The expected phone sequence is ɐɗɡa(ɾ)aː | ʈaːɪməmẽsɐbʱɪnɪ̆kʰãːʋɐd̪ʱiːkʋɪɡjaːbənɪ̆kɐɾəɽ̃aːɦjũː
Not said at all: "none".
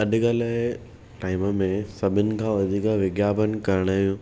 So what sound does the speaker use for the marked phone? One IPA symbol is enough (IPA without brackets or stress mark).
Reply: l